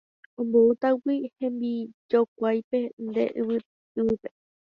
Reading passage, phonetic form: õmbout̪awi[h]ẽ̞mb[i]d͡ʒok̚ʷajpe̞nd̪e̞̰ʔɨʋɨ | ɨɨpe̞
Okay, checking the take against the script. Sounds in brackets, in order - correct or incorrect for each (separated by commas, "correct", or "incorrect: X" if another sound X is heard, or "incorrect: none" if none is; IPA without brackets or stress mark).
correct, correct